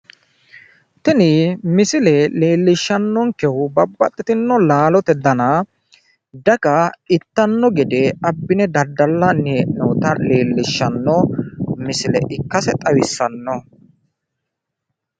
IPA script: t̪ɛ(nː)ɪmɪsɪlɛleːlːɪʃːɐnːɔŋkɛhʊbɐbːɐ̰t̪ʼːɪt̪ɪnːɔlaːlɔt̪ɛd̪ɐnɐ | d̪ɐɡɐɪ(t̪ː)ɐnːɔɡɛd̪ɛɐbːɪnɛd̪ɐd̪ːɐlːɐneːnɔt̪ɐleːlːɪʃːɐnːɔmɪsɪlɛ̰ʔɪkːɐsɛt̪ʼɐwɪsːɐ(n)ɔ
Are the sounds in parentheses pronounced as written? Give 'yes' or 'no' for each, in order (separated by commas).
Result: no, yes, no